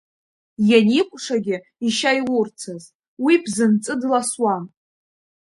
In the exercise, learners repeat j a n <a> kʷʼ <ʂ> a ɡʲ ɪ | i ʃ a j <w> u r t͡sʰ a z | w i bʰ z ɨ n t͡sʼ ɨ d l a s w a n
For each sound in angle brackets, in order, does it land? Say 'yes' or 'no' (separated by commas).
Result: no, yes, yes